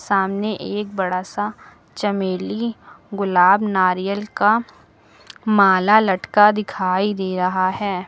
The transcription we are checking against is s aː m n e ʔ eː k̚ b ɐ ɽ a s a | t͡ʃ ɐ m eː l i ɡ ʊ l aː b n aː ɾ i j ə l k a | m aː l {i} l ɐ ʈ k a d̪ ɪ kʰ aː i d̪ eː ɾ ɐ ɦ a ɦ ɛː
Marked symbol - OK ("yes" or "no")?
no